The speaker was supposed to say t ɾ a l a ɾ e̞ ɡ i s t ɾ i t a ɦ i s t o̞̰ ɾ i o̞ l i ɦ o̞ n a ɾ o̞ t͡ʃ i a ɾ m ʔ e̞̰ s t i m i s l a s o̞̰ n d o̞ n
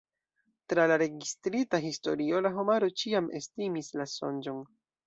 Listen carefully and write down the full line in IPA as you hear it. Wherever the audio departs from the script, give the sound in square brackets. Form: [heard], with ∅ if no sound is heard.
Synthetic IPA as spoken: t ɾ a l a ɾ e̞ ɡ i s t ɾ i t a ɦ i s t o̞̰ ɾ i o̞ l [a] ɦ o̞ [m] a ɾ o̞ t͡ʃ i a [∅] m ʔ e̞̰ s t i m i s l a s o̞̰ n [d͡ʒ] o̞ n